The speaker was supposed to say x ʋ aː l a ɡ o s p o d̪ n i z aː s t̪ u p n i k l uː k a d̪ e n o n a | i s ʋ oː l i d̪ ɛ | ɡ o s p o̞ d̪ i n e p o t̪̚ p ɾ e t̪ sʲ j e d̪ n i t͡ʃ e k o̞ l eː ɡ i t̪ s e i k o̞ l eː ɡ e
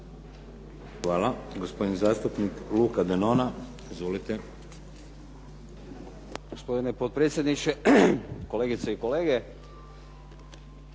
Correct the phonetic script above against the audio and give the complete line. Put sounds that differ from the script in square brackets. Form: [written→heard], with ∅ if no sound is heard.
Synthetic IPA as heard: x ʋ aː l a ɡ o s p o d̪ n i z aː s t̪ u p n i k l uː k a d̪ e n o n a | i [s→z] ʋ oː l i [d̪→t̪] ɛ | ɡ o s p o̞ d̪ i n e p o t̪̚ p ɾ e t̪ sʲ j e d̪ n i t͡ʃ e k o̞ l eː ɡ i t̪ s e i k o̞ l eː ɡ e